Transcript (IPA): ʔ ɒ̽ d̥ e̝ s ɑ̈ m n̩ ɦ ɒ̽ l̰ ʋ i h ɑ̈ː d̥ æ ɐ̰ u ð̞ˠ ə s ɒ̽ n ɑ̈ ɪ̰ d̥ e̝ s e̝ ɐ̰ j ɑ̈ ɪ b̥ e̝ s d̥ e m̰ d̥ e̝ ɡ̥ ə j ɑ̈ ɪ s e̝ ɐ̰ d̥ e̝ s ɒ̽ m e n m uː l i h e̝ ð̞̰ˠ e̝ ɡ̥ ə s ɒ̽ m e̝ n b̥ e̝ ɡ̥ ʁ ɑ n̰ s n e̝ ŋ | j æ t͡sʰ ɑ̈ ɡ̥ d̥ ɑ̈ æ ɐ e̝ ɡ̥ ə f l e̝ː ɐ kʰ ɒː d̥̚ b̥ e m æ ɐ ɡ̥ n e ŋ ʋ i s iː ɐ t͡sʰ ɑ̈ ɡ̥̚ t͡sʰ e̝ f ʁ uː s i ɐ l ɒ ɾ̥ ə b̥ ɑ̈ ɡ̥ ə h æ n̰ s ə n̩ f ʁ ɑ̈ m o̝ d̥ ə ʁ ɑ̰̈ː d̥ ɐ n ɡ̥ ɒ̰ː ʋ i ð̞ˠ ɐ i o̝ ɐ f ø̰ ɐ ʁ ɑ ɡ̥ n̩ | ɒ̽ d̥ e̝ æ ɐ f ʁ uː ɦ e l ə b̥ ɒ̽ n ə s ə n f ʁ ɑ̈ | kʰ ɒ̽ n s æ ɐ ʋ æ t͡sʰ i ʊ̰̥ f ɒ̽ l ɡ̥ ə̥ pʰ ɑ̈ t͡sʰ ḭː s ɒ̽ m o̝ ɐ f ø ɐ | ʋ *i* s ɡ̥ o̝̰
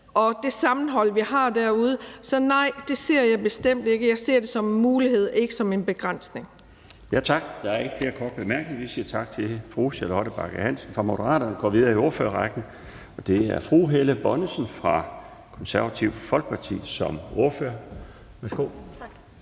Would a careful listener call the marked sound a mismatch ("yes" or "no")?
yes